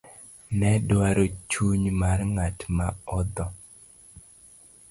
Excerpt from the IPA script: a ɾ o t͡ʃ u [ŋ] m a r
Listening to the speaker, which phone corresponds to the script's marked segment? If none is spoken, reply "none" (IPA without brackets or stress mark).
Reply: ɲ